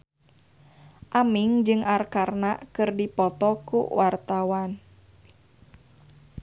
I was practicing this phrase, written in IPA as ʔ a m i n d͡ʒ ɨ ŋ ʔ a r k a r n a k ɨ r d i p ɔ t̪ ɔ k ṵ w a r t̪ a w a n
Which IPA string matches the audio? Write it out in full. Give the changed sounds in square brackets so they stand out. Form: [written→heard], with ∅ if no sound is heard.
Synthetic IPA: ʔ a m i [n→ŋ] d͡ʒ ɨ ŋ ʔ a r k a r n a k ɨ r d i p ɔ t̪ ɔ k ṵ w a r t̪ a w a n

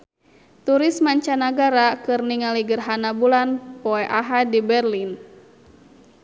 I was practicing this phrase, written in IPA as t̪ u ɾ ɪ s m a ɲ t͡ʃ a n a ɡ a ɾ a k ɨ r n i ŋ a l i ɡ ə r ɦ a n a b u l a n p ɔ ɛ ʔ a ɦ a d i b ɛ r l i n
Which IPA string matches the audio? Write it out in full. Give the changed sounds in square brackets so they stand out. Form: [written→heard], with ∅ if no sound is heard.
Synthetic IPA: t̪ u ɾ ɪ s m a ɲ t͡ʃ a n a ɡ a ɾ a k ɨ r n i ŋ a l i ɡ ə r ɦ a n a b u l a n p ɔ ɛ ʔ a ɦ a d i b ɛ r l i n

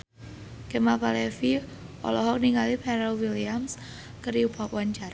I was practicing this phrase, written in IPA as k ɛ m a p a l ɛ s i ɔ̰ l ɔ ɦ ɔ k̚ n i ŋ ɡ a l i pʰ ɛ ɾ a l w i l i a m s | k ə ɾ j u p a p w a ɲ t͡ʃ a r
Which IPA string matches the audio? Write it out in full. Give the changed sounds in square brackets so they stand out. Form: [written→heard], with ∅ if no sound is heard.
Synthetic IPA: k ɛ m a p a l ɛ [s→f] i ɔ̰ l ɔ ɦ ɔ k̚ n i ŋ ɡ a l i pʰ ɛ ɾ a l w i l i a m s | k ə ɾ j u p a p w a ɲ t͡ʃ a r

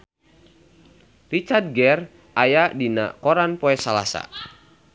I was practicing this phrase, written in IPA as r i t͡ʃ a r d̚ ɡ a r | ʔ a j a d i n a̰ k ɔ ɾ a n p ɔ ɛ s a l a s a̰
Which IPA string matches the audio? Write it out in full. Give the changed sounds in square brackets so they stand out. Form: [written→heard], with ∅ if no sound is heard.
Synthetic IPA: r i t͡ʃ a r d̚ ɡ [a→ɛ] r | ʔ a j a d i n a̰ k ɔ ɾ a n p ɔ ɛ s a l a s a̰

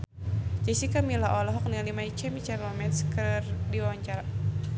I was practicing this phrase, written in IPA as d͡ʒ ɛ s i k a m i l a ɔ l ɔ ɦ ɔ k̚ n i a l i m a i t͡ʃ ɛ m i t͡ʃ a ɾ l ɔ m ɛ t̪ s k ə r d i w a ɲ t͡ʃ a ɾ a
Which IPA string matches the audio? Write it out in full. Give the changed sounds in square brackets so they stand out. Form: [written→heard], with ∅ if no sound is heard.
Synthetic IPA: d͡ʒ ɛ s i k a m i l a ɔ l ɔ ɦ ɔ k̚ n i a l i m a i t͡ʃ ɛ m i t͡ʃ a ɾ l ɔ m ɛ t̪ s k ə r d i w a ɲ t͡ʃ a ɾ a

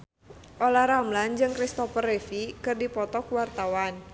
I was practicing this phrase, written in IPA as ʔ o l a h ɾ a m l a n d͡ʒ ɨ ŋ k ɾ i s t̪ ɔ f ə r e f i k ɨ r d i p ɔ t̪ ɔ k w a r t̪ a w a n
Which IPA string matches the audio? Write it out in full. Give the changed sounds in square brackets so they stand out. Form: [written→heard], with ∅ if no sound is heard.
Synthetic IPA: ʔ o l a h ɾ a m l a n d͡ʒ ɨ ŋ k ɾ i s t̪ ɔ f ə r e f i k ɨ r d i p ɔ t̪ ɔ k w a r t̪ a w a n

